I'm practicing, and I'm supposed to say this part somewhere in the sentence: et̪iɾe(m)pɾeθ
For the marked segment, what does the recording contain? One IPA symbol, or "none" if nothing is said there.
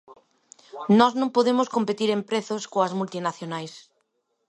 m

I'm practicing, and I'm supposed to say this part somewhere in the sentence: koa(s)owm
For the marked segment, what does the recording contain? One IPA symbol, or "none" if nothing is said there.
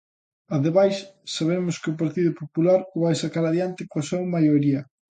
s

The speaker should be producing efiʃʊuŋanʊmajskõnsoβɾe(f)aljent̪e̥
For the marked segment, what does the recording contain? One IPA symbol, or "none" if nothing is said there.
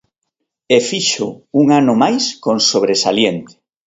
s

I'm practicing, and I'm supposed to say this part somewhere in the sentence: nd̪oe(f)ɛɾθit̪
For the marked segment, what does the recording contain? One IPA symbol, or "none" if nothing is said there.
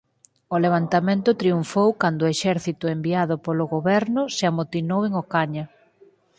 ʃ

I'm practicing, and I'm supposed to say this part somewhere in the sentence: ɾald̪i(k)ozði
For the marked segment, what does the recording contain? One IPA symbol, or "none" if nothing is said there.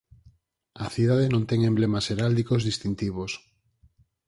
k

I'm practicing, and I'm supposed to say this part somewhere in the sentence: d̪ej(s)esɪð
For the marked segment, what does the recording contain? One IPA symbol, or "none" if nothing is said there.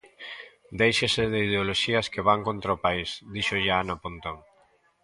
ʃ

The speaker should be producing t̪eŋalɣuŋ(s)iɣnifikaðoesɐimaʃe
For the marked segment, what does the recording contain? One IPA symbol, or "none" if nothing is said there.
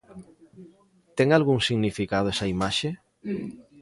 s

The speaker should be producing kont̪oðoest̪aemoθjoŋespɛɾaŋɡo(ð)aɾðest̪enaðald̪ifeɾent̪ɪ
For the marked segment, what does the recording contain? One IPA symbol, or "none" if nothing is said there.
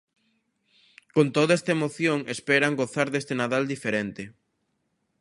θ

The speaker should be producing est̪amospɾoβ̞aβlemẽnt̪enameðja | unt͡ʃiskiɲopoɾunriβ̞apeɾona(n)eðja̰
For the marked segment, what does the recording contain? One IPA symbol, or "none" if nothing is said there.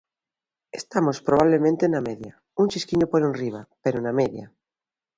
m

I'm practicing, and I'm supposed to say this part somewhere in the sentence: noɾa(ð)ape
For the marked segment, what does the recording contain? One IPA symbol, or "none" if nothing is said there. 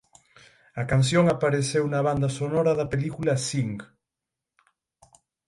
ð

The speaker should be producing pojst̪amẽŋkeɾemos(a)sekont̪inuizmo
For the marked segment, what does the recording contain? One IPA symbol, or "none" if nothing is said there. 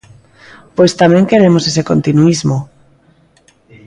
e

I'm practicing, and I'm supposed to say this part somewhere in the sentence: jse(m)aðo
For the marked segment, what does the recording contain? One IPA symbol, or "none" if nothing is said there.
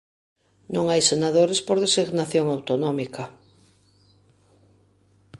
n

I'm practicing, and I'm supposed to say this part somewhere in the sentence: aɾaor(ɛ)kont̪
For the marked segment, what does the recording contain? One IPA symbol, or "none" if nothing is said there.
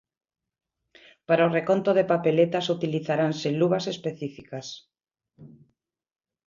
e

